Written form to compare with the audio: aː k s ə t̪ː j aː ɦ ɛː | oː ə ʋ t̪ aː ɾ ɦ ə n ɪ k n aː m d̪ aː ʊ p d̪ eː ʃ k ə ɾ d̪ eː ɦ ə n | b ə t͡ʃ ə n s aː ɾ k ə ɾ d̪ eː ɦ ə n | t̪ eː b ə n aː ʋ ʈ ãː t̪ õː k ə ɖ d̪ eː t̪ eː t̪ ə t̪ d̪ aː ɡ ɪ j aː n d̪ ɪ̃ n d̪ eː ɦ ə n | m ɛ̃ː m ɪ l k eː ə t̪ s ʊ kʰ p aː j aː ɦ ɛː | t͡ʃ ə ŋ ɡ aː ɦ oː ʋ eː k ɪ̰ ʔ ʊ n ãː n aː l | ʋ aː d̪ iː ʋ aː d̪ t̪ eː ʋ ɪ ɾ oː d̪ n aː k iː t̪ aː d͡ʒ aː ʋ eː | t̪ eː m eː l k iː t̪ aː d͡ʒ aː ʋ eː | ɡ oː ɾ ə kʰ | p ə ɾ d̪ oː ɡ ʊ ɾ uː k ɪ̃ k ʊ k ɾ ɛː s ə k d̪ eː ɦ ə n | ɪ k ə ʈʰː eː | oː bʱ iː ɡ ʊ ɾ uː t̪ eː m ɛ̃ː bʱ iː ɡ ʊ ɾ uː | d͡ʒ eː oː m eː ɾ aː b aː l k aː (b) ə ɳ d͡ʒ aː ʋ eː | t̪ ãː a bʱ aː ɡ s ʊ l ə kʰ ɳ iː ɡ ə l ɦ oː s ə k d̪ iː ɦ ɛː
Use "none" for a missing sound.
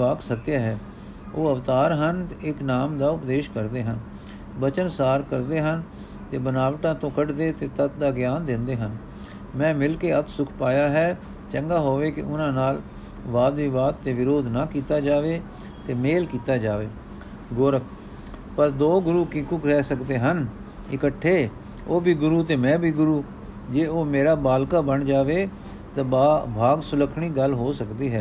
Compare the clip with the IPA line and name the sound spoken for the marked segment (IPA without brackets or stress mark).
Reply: b